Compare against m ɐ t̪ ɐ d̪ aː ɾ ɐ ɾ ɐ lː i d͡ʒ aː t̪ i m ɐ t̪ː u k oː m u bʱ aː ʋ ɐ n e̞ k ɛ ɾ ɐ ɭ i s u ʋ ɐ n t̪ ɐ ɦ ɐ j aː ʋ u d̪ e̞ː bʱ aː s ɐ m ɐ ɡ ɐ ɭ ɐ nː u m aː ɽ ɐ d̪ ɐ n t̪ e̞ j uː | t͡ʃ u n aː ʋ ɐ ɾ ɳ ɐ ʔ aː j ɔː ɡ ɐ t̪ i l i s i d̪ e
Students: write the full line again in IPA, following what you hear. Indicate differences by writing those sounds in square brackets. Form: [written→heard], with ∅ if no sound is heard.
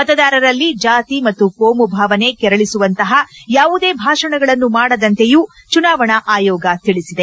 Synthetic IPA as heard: m ɐ t̪ ɐ d̪ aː ɾ ɐ ɾ ɐ lː i d͡ʒ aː t̪ i m ɐ t̪ː u k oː m u bʱ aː ʋ ɐ n e̞ k ɛ ɾ ɐ ɭ i s u ʋ ɐ n t̪ ɐ ɦ ɐ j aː ʋ u d̪ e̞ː bʱ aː [s→ʂ] ɐ [m→ɳ] ɐ ɡ ɐ ɭ ɐ nː u m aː ɽ ɐ d̪ ɐ n t̪ e̞ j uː | t͡ʃ u n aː ʋ ɐ [ɾ→∅] ɳ ɐ ʔ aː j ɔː ɡ ɐ t̪ i [l→ɭ] i s i d̪ e